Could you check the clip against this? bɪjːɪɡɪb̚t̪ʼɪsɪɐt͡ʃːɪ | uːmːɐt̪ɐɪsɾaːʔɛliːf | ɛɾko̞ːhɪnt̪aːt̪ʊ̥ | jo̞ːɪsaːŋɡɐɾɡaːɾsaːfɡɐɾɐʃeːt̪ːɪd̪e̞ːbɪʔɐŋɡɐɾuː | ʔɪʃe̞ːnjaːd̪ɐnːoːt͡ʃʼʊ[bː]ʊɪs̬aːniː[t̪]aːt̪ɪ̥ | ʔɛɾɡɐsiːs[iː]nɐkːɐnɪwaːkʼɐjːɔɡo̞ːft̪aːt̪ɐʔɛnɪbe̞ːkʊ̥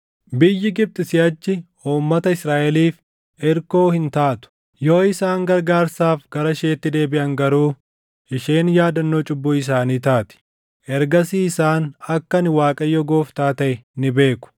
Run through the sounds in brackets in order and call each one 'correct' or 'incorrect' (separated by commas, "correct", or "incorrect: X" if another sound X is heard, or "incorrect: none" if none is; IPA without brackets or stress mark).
correct, correct, incorrect: aː